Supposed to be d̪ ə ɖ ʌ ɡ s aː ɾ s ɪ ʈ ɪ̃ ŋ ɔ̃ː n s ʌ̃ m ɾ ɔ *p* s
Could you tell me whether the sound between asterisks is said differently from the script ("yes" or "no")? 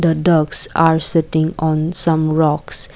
yes